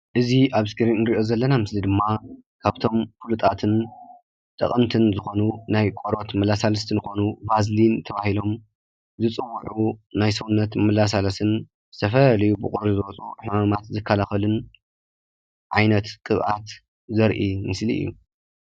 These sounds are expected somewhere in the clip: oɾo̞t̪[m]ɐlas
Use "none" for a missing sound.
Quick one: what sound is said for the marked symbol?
m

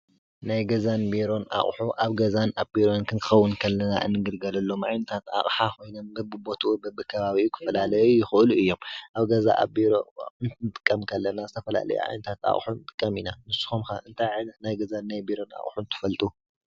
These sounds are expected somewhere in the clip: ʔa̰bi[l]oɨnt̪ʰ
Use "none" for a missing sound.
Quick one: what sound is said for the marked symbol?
ɾ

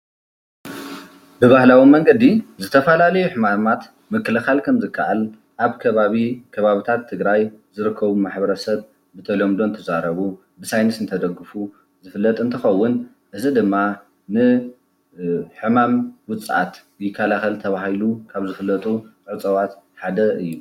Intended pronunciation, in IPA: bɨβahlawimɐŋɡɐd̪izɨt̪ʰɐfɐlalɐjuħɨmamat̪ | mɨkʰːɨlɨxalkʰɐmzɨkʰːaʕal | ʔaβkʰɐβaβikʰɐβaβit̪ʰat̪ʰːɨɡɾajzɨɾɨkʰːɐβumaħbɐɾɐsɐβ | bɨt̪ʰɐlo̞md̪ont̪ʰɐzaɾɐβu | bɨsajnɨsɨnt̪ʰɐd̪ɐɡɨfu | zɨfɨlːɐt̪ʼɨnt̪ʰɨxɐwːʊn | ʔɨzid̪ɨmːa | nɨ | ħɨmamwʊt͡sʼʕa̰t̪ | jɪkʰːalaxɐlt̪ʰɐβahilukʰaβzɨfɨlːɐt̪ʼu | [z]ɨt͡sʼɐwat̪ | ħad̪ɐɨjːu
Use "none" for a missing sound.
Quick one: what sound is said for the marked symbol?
ʕ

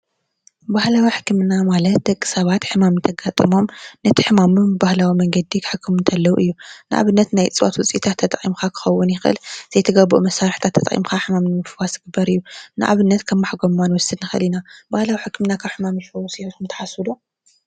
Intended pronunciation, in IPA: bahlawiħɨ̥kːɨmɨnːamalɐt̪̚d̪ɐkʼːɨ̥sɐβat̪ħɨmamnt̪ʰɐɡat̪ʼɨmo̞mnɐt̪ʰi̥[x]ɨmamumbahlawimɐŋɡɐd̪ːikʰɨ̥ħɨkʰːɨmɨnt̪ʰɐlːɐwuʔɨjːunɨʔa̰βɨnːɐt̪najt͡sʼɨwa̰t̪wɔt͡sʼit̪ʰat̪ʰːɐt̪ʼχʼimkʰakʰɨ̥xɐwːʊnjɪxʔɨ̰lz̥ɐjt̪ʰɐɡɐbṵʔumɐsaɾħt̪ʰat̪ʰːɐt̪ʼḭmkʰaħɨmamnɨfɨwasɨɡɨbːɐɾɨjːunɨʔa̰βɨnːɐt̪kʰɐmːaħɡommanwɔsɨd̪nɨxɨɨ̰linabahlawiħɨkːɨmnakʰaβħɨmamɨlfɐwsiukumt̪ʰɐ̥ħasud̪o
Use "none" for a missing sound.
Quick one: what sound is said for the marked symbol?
ħ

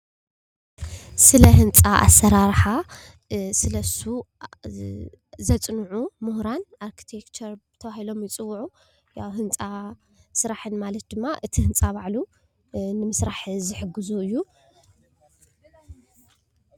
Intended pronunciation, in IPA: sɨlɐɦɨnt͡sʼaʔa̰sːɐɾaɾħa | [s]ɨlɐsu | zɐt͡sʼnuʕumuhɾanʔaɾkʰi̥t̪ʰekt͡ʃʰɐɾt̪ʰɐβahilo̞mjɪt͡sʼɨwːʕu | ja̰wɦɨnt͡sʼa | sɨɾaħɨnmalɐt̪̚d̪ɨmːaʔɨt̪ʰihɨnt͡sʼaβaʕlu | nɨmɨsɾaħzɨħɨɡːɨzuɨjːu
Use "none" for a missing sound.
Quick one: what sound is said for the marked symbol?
s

